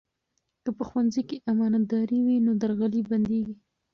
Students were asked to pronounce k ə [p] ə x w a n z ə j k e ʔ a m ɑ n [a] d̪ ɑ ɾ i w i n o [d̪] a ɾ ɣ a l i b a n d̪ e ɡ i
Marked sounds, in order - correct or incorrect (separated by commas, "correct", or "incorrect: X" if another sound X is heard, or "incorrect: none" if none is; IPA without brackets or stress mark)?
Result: correct, correct, correct